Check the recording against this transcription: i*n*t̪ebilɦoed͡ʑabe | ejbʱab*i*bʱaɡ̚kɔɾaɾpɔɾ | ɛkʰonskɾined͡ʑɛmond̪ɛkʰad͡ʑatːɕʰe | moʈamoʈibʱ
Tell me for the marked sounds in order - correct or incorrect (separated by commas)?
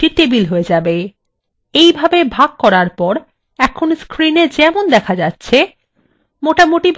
incorrect, incorrect